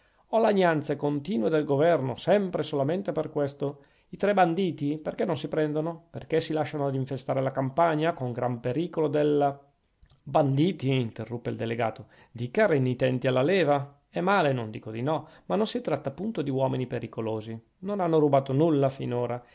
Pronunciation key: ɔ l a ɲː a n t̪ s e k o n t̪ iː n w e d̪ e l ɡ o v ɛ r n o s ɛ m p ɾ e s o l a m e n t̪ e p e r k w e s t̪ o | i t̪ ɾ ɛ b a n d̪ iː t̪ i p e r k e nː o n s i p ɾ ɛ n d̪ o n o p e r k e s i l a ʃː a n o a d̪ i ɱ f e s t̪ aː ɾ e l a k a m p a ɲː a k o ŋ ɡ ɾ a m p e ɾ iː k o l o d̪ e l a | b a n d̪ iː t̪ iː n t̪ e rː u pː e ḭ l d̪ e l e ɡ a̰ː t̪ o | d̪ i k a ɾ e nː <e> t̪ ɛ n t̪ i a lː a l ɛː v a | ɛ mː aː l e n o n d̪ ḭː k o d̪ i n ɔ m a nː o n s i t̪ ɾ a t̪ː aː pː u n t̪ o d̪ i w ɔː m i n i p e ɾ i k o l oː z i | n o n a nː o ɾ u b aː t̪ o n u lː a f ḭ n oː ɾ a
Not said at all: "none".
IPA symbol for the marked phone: i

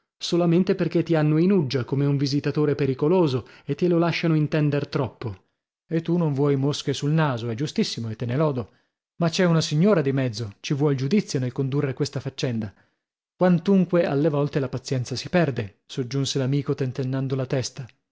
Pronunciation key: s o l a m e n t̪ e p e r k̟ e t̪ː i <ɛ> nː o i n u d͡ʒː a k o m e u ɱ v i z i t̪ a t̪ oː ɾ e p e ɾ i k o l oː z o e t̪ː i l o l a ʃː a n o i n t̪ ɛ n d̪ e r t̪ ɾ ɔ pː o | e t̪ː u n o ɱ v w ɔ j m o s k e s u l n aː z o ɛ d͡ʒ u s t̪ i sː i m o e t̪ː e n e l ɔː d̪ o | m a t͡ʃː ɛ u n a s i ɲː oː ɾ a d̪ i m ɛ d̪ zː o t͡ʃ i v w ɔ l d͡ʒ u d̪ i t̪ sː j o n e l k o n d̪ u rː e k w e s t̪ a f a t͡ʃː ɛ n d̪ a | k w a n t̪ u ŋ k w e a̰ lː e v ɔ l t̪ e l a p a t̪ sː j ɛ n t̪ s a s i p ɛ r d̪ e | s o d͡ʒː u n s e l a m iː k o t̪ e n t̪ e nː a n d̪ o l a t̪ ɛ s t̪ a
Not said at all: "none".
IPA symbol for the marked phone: a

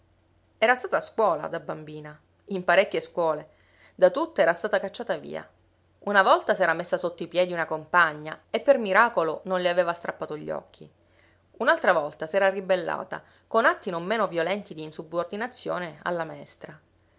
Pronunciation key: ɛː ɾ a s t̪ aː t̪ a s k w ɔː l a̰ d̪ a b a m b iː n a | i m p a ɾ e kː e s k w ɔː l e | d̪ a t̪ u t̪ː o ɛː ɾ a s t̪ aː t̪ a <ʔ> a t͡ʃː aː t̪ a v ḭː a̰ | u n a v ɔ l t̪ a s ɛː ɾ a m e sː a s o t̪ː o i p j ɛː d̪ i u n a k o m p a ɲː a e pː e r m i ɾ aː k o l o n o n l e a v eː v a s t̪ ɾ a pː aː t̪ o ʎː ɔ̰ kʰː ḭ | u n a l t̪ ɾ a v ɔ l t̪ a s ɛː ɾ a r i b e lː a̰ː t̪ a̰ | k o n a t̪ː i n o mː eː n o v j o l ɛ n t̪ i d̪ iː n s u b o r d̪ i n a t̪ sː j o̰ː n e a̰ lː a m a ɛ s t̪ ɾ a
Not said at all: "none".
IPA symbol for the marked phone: k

